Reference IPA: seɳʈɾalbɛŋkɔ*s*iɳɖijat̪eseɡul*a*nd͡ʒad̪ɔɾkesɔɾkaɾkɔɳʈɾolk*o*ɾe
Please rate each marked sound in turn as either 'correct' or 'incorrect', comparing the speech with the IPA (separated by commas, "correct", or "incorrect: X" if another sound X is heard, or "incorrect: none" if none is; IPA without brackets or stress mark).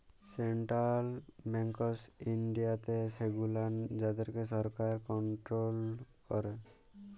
correct, correct, incorrect: ɔ